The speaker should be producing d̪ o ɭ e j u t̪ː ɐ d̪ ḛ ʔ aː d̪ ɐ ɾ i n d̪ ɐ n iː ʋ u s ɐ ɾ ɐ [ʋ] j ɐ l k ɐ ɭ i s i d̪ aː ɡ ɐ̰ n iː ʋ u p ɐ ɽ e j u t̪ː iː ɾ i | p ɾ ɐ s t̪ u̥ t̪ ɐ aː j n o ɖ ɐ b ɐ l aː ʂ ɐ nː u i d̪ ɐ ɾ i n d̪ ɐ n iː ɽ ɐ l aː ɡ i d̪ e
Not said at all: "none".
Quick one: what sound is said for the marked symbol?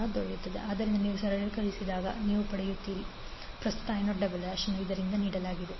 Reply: none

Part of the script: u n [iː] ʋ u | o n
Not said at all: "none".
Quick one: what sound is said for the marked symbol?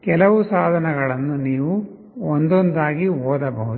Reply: iː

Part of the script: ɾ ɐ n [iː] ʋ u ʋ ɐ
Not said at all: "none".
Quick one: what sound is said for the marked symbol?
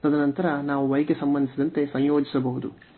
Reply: aː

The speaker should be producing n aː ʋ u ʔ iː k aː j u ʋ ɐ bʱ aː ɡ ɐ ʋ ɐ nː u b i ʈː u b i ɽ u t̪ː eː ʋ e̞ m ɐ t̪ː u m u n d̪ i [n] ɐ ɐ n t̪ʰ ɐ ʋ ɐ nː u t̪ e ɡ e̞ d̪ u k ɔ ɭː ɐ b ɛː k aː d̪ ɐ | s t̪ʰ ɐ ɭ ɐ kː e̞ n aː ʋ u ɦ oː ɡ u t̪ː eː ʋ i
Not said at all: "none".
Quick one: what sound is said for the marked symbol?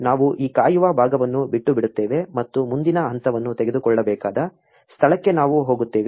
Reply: n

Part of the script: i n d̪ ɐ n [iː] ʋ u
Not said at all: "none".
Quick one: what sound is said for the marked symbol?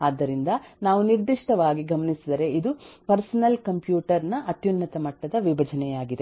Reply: aː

